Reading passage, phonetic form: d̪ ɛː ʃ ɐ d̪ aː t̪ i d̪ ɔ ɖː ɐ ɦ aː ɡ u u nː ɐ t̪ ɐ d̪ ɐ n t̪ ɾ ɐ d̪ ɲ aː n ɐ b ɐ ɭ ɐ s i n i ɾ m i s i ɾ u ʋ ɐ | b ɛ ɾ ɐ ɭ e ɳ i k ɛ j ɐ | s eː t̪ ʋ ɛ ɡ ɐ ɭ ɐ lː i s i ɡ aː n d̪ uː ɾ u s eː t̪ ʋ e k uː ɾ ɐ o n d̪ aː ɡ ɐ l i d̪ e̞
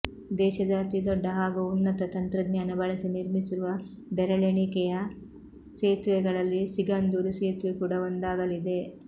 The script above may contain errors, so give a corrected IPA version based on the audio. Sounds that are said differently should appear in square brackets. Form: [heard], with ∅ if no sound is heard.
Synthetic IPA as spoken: d̪ ɛː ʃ ɐ d̪ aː t̪ i d̪ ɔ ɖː ɐ ɦ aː ɡ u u nː ɐ t̪ ɐ [t̪] ɐ n t̪ ɾ ɐ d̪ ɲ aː n ɐ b ɐ ɭ ɐ s i n i ɾ m i s i ɾ u ʋ ɐ | b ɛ ɾ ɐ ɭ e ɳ i k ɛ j ɐ | s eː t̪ ʋ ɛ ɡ ɐ ɭ ɐ lː i s i ɡ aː n d̪ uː ɾ u s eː t̪ ʋ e k uː [ɽ] ɐ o n d̪ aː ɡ ɐ l i d̪ e̞

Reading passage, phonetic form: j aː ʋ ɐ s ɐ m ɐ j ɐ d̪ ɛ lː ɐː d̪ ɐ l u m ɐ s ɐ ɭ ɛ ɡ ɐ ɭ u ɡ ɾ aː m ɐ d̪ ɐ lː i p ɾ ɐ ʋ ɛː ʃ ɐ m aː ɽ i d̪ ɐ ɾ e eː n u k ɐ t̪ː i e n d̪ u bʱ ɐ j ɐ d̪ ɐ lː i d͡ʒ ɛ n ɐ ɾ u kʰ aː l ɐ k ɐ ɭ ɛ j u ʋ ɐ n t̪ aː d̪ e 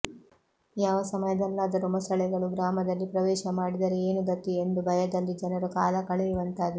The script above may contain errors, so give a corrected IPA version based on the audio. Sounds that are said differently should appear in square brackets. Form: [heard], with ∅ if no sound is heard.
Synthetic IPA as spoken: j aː ʋ ɐ s ɐ m ɐ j ɐ d̪ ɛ lː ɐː d̪ ɐ [ɾ] u m ɐ s ɐ ɭ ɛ ɡ ɐ ɭ u ɡ ɾ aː m ɐ d̪ ɐ lː i p ɾ ɐ ʋ ɛː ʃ ɐ m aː ɽ i d̪ ɐ ɾ e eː n u [ɡ] ɐ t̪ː i e n d̪ u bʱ ɐ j ɐ d̪ ɐ lː i d͡ʒ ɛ n ɐ ɾ u [k] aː l ɐ k ɐ ɭ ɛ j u ʋ ɐ n t̪ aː d̪ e

